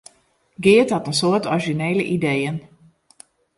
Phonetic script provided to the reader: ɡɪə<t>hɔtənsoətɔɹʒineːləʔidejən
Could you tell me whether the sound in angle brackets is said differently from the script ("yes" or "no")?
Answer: no